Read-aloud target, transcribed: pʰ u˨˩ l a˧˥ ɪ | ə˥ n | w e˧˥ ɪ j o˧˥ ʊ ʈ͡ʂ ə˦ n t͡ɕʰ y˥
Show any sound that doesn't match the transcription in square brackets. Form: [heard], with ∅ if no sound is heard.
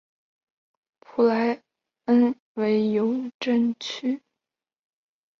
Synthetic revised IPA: pʰ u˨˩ l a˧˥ ɪ | ə˥ n | w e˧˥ ɪ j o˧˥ ʊ ʈ͡ʂ [ə˥˩] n t͡ɕʰ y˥

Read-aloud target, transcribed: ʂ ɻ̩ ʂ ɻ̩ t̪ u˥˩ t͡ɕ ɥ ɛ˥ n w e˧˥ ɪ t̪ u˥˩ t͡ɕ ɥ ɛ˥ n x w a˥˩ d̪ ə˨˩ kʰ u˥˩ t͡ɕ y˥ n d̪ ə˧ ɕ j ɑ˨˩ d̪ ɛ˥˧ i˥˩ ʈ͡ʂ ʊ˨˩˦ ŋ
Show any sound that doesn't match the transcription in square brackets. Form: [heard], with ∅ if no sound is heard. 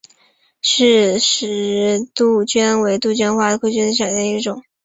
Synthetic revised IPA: ʂ ɻ̩ ʂ ɻ̩ t̪ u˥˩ t͡ɕ ɥ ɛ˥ n w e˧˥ ɪ t̪ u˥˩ t͡ɕ ɥ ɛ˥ n x w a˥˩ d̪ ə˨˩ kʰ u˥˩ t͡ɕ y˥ n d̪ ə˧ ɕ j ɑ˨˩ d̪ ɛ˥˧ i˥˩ ʈ͡ʂ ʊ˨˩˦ ŋ

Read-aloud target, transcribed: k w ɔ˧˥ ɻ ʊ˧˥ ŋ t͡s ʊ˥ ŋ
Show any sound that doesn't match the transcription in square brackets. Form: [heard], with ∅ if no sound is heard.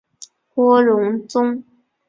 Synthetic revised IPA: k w [ɔ˥] ɻ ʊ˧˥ ŋ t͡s ʊ˥ ŋ

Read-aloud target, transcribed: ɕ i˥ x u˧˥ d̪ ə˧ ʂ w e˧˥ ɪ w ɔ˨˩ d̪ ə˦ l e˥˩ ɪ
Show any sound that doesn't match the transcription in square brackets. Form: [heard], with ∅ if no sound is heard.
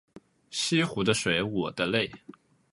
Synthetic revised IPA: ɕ i˥ x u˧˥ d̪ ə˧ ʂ w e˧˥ ɪ w ɔ˨˩ d̪ ə˦ l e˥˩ ɪ

